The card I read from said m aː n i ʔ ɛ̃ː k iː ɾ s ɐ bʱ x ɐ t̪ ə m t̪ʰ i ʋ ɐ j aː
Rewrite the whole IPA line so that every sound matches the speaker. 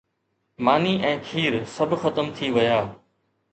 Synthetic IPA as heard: m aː n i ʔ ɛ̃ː kʰ iː ɾ s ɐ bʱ x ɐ t̪ ə m t̪ʰ i ʋ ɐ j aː